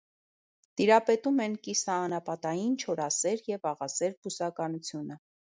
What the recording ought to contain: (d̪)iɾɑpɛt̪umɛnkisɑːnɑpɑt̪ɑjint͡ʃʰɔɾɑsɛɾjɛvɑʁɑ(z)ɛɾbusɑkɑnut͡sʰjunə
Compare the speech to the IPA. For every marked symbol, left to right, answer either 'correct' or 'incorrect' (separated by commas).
incorrect, incorrect